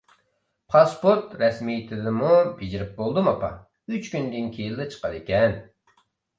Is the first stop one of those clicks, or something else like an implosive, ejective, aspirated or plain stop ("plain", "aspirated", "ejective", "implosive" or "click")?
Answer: aspirated